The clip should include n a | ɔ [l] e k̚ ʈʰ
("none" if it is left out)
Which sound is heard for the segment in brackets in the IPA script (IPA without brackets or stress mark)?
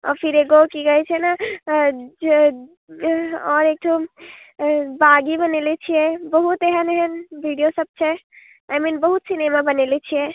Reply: ɾ